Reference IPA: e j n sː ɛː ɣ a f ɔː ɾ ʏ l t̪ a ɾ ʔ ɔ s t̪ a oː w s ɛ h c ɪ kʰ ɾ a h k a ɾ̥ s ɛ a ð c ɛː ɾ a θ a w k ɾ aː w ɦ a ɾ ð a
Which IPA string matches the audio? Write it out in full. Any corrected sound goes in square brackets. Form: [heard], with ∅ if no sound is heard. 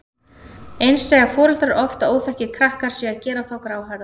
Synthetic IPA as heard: e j n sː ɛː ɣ a f ɔː ɾ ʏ l t̪ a ɾ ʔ ɔ [f] t̪ a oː w [θ] ɛ h c ɪ kʰ ɾ a h k a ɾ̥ s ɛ a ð c ɛː ɾ a θ a w k ɾ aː w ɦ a ɾ ð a